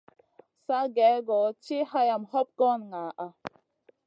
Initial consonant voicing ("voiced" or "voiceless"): voiceless